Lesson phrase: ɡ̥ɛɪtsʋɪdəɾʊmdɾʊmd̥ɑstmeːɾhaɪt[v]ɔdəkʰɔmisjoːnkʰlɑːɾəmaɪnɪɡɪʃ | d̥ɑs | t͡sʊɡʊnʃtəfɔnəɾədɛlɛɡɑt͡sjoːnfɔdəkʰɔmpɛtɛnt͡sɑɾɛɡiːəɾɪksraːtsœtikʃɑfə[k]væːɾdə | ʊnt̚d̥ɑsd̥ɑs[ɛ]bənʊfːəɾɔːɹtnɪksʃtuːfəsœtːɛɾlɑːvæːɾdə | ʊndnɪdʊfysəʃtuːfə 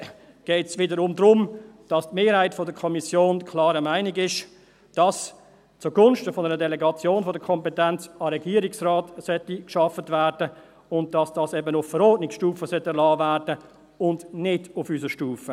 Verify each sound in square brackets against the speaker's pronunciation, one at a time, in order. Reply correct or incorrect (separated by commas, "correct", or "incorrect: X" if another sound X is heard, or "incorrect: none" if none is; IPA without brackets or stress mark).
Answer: incorrect: f, incorrect: t, correct